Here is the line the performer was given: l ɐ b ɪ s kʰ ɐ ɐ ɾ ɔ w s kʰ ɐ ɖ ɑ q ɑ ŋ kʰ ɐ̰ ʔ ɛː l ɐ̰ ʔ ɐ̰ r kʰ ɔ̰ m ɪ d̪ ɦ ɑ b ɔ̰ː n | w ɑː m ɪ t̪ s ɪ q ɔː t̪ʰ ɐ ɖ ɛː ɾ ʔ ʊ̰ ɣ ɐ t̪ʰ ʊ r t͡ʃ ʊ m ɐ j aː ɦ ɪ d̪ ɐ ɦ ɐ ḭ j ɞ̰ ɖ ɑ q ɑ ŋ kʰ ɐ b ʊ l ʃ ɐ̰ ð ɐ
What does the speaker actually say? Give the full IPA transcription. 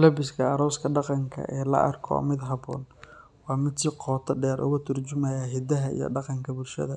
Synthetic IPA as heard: l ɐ b ɪ s kʰ ɐ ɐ ɾ ɔ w s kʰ ɐ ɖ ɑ q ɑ ŋ kʰ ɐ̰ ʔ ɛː l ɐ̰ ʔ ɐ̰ r kʰ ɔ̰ m ɪ d̪ ɦ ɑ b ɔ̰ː n | w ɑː m ɪ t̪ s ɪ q ɔː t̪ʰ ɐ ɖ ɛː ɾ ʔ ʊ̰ ɣ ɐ t̪ʰ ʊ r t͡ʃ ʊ m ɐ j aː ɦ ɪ d̪ ɐ ɦ ɐ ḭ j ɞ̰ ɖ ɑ q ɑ ŋ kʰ ɐ b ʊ l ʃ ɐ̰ ð ɐ